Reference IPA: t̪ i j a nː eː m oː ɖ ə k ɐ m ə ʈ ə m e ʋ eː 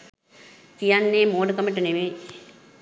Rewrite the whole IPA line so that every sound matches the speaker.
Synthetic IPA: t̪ i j a nː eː m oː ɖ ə k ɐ m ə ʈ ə n e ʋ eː